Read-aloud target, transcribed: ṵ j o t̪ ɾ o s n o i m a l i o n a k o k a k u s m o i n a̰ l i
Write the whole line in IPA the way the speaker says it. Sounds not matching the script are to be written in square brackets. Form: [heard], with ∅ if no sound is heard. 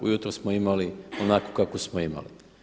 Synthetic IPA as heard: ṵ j [u] t̪ ɾ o s [m] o i m a l i o n a k o k a k [o] s m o i [m] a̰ l i